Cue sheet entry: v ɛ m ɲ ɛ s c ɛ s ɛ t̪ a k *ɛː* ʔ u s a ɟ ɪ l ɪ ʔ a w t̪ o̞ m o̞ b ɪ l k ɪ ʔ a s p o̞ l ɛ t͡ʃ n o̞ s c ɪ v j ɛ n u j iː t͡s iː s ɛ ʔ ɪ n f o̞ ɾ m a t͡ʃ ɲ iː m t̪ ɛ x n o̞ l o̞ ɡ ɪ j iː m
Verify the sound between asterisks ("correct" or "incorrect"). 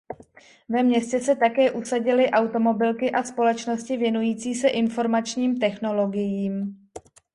correct